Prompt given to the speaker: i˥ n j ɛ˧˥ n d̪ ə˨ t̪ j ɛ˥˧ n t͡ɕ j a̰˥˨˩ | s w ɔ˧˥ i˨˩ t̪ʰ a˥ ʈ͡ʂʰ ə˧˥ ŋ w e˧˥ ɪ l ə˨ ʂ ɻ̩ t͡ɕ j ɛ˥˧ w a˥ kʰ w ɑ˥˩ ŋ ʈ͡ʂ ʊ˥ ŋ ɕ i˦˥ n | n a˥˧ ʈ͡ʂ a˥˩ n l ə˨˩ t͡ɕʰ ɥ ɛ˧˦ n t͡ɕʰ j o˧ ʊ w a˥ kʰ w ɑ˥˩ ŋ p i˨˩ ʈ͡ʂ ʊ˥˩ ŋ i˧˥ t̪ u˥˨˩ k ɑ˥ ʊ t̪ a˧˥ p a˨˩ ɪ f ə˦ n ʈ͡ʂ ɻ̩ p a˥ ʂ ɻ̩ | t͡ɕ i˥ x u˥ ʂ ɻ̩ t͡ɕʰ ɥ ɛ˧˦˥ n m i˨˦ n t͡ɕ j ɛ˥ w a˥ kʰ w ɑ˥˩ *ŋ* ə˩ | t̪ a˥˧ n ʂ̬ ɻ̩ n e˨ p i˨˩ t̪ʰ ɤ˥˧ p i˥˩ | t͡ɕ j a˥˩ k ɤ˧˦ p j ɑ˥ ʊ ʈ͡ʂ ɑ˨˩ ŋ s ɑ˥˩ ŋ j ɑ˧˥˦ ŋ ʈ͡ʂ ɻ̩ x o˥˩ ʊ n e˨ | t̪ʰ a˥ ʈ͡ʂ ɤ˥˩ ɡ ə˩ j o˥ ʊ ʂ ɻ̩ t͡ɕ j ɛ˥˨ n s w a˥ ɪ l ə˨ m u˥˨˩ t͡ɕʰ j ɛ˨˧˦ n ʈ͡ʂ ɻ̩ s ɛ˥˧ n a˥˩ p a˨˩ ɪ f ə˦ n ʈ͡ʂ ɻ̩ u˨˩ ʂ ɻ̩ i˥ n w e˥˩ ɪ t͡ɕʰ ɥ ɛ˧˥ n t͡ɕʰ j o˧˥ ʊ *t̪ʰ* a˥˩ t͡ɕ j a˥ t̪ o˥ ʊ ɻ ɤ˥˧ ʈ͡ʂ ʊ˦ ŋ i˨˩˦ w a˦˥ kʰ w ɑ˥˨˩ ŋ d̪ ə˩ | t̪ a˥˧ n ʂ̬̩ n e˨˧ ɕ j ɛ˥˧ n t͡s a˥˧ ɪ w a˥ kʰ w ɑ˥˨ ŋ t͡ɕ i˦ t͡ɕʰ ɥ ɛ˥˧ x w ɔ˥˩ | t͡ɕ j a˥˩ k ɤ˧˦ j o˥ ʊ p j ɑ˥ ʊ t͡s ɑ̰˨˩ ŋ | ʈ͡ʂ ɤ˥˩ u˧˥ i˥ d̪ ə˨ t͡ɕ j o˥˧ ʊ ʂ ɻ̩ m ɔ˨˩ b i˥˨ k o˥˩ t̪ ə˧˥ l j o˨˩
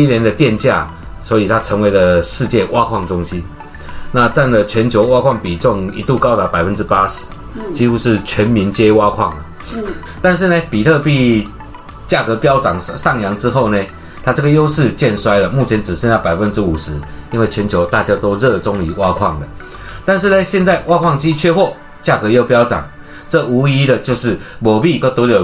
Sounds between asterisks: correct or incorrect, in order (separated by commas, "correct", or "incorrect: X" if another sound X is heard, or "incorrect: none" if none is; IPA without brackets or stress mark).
correct, incorrect: t̪